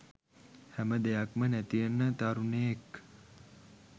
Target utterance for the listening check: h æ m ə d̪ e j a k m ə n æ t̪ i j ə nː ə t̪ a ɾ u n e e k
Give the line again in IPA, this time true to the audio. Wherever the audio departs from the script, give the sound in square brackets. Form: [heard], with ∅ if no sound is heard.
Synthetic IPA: h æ m ə d̪ e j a k m ə n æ t̪ i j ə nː ə t̪ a ɾ u n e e k